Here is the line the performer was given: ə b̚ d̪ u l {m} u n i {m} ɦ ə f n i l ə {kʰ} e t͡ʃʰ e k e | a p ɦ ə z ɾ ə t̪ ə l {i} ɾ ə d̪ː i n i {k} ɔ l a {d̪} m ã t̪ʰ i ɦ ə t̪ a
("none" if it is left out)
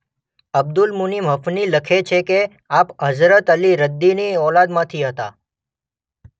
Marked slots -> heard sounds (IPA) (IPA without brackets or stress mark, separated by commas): m, m, kʰ, i, none, d̪